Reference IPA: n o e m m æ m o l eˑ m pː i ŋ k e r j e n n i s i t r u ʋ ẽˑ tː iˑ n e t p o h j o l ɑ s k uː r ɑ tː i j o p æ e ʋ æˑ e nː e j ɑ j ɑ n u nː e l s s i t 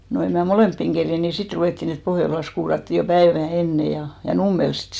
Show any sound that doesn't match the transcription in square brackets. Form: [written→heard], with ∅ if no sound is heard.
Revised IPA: n o e m m æ m o l eˑ m pː i ŋ k e r j e n n i s i t r u ʋ [ẽˑ→eˑ] tː iˑ n e t p o h j o l ɑ s k uː r ɑ tː i j o p æ e ʋ æˑ e nː e j ɑ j ɑ n u [nː→mː] e l s s i t